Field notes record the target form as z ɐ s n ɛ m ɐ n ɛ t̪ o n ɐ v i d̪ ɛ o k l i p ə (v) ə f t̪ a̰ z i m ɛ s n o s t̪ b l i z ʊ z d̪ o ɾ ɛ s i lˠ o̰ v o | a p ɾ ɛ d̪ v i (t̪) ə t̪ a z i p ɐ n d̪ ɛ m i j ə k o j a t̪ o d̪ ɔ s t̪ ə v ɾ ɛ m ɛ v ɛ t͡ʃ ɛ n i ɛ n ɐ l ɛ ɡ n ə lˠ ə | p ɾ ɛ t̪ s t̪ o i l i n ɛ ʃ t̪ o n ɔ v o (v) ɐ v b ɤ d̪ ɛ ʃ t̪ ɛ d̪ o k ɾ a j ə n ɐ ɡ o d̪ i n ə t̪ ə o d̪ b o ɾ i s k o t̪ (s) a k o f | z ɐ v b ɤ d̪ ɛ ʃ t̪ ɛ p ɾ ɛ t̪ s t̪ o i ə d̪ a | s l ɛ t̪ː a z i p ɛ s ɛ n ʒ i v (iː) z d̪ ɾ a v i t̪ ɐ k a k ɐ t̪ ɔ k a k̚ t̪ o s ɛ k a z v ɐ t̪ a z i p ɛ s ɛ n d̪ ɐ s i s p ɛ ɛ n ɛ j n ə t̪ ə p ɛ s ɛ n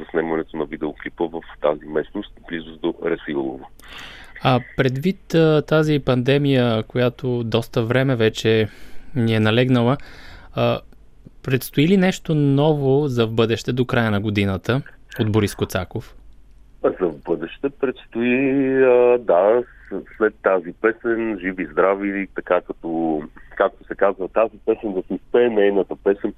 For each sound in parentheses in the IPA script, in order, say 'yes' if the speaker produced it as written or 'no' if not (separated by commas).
yes, yes, no, yes, no